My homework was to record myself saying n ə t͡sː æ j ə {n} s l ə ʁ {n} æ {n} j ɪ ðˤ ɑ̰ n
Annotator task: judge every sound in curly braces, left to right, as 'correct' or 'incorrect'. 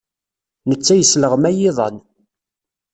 incorrect, incorrect, incorrect

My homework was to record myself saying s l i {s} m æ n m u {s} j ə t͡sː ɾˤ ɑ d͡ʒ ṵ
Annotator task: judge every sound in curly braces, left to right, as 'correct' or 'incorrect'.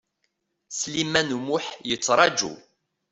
incorrect, incorrect

